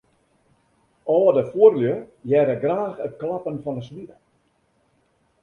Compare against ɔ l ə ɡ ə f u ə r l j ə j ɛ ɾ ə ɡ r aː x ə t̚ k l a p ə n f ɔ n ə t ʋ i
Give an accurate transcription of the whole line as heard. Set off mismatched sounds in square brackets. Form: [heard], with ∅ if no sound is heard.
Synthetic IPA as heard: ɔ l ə [d] ə f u ə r l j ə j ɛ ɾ ə ɡ r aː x ə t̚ k l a p ə n f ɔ n ə [s] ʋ i

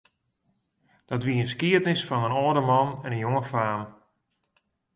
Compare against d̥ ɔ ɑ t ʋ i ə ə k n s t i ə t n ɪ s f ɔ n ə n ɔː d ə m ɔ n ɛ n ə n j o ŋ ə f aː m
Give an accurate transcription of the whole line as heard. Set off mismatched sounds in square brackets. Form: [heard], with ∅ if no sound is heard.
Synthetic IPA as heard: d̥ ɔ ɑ t ʋ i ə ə [∅] n s [k] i ə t n ɪ s f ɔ n ə n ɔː d ə m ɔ n ɛ n ə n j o ŋ ə f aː m

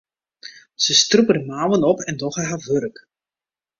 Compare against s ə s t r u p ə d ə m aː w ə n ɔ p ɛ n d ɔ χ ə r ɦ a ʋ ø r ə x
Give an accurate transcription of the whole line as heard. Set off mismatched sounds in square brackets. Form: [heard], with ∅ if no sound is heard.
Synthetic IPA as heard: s ə s t r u p ə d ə m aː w ə n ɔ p ɛ n d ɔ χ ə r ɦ a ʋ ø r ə [k]

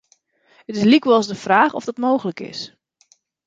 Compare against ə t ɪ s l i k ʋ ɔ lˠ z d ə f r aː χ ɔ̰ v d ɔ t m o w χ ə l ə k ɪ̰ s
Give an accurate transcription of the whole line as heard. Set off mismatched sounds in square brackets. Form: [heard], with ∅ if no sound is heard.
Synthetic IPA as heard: ə t ɪ s l i k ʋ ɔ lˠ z d ə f r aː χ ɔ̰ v d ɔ t m o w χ ə l ə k ɪ̰ s

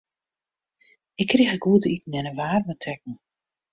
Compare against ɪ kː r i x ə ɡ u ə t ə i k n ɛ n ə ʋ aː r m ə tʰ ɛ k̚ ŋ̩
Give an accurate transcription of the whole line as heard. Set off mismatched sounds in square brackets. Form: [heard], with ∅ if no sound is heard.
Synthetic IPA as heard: ɪ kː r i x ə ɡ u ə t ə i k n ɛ n ə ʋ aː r m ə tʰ ɛ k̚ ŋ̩

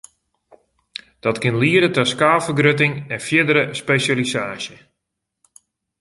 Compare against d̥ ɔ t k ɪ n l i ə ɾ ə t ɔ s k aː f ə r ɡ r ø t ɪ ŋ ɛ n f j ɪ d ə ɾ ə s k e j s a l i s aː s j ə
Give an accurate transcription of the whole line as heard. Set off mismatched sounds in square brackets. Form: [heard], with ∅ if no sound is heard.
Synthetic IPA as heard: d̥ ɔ t k ɪ n l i ə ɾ ə t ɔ s k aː f ə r ɡ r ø t ɪ ŋ ɛ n f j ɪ d ə ɾ ə s [p] e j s a l i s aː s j ə

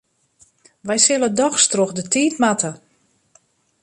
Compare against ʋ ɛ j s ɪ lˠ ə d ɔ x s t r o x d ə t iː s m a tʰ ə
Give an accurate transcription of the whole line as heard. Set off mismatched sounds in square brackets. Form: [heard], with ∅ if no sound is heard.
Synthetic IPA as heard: ʋ ɛ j s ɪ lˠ ə d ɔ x s t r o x d ə t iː [t] m a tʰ ə

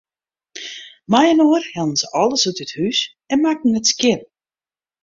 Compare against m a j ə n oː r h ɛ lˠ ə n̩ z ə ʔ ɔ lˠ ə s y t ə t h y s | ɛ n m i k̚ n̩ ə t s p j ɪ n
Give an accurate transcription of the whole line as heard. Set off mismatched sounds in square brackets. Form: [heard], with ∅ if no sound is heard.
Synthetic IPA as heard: m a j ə n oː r h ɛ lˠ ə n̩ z ə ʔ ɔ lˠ ə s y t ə t h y s | ɛ n m [a] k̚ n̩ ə t s [k] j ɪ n

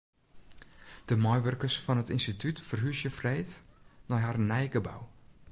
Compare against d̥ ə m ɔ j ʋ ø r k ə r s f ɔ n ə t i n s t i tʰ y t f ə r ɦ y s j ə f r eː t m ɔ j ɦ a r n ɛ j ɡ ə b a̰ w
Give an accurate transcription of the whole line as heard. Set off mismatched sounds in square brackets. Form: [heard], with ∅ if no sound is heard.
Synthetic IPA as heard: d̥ ə m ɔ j ʋ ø r k ə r s f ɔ n ə t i n s t i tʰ y t f ə r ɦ y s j ə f r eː t [n] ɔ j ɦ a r n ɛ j ɡ ə b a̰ w

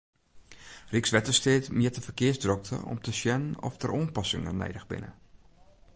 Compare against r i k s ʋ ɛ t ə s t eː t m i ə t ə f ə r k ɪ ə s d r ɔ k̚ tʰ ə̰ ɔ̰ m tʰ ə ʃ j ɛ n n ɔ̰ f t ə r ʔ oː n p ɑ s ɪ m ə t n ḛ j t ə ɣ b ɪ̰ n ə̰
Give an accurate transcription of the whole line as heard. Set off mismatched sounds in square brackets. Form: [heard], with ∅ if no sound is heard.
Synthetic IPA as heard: r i k s ʋ ɛ t ə s t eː t m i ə t ə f ə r k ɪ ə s d r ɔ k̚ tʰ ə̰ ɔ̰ m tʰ ə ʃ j ɛ n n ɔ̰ f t ə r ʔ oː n p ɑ s ɪ [ŋ] ə [∅] n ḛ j [d] ə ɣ b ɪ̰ n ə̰

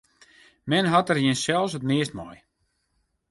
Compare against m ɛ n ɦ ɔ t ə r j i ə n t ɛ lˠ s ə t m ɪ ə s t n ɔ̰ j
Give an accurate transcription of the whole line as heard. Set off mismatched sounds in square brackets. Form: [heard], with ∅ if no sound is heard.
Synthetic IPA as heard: m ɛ n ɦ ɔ t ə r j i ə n [s] ɛ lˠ s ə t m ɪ ə s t [m] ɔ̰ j

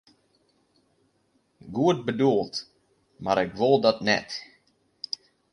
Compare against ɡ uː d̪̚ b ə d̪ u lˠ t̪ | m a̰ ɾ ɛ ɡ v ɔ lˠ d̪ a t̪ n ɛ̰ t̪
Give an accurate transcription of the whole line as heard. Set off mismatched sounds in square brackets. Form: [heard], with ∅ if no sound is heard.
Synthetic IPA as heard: ɡ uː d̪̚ b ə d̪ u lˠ t̪ | m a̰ ɾ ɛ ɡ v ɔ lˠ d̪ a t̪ n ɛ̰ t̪

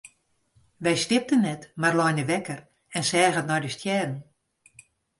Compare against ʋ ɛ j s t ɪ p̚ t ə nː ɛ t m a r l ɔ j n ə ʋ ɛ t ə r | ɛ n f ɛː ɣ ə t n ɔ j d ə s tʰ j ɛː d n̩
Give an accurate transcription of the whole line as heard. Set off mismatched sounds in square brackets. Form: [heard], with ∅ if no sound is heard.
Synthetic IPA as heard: ʋ ɛ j s t ɪ p̚ t ə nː ɛ t m a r l ɔ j n ə ʋ ɛ [k] ə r | ɛ n [s] ɛː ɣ ə t n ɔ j d ə s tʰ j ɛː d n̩

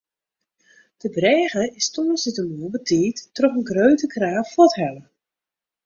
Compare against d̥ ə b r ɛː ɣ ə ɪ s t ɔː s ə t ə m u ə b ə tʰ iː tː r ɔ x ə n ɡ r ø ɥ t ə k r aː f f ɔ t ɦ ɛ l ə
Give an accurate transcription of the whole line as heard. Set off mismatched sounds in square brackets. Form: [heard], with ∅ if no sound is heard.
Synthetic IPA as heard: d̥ ə b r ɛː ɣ ə ɪ s t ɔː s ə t ə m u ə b ə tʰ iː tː r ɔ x ə n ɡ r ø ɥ t ə k r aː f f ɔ t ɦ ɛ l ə

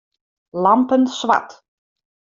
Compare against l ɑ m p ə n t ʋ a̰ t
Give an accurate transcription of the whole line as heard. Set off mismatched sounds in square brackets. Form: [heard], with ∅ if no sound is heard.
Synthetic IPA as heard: l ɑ m p ə n [s] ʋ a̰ t

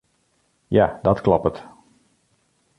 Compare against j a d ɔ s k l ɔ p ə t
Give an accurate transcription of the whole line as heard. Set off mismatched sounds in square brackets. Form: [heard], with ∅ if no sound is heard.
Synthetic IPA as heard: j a d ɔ [t] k l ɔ p ə t

